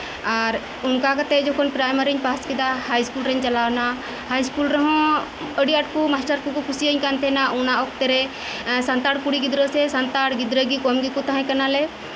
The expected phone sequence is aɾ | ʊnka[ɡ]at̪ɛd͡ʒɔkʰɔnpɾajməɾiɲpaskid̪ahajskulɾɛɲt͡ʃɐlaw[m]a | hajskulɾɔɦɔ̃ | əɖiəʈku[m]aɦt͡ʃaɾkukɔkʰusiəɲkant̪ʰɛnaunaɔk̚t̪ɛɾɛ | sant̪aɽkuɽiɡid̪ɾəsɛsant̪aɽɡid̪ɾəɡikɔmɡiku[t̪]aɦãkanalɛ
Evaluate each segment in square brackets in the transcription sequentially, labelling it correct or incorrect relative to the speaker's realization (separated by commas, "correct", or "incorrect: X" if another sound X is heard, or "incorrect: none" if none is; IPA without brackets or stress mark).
incorrect: k, incorrect: n, correct, correct